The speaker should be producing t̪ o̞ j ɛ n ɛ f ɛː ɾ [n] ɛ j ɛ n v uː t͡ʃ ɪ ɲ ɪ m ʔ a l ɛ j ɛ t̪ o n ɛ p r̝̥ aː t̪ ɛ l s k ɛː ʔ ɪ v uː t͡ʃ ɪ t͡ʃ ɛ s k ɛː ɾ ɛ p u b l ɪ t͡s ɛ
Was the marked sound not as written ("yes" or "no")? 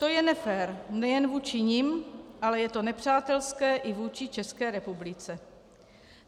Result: no